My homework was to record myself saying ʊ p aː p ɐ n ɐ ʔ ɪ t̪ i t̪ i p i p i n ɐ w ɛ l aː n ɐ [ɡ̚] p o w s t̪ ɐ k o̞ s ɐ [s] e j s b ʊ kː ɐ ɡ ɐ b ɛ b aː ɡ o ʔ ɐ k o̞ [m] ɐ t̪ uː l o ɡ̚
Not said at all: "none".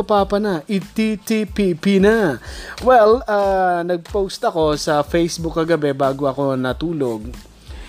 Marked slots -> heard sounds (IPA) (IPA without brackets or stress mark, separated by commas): ɡ̚, f, n